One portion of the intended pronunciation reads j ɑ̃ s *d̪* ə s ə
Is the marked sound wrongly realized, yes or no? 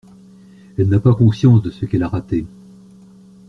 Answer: no